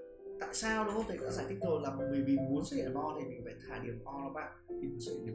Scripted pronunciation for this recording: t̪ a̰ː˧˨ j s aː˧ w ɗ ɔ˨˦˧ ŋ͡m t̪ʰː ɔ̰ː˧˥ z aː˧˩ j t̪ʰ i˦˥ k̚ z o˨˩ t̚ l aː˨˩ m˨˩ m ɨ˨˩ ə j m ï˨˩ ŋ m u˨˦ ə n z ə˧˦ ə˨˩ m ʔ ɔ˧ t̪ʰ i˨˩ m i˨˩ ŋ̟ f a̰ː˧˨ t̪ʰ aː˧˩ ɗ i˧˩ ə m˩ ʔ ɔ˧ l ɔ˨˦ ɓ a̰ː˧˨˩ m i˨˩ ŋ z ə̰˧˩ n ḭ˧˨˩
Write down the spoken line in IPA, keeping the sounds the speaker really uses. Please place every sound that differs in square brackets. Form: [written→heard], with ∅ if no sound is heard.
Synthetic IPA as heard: t̪ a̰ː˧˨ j s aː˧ w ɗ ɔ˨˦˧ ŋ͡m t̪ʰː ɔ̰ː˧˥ z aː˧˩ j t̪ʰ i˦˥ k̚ z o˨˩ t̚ l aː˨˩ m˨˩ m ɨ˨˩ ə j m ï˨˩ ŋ m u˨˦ ə n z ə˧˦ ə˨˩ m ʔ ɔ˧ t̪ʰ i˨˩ m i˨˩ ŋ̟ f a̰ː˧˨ t̪ʰ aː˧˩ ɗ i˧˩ ə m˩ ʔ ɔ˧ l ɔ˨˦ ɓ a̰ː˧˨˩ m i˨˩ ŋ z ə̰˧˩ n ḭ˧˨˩